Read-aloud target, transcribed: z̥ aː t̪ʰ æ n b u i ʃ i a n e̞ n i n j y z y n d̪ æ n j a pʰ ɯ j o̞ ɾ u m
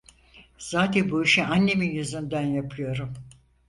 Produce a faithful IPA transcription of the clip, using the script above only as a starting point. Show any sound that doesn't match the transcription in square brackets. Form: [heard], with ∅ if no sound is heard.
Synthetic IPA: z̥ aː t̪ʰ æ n b u i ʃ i a [nː] e̞ [m] i n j y z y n d̪ æ n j a pʰ ɯ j o̞ ɾ u m